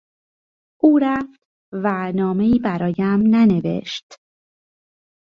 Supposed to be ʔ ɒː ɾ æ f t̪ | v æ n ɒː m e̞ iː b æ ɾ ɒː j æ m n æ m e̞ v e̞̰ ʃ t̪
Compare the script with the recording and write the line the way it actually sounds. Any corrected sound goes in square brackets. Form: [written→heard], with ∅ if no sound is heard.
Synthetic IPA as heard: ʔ [ɒː→uː] ɾ æ f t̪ | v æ n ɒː m e̞ iː b æ ɾ ɒː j æ m n æ [m→n] e̞ v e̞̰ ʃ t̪